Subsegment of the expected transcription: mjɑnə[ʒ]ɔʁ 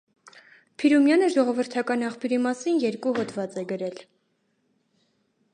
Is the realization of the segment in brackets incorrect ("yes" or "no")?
no